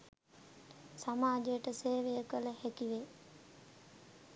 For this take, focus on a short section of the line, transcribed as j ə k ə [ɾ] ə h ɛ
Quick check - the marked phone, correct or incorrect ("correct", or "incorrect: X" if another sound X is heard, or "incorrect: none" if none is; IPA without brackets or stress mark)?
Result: incorrect: l